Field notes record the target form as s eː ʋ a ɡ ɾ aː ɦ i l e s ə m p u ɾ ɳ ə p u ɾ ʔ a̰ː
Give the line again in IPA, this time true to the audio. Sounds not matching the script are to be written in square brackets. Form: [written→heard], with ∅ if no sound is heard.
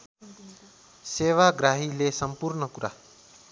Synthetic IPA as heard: s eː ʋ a ɡ ɾ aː ɦ i l e s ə m p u ɾ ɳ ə [p→k] u ɾ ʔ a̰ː